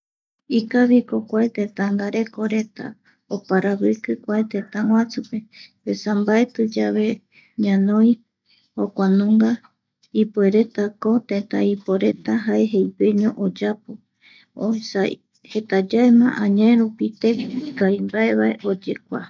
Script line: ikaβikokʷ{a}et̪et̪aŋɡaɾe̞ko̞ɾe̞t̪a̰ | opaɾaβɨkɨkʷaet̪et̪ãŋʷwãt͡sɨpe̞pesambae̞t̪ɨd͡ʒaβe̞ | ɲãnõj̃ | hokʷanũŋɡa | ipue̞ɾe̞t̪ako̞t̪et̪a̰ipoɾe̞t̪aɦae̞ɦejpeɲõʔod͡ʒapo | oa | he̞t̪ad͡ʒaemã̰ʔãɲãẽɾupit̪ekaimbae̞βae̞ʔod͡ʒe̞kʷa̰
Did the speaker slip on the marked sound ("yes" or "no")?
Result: no